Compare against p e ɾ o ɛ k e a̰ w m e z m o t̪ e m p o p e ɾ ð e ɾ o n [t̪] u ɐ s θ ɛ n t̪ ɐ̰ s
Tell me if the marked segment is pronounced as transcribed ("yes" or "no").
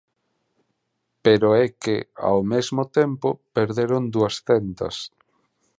no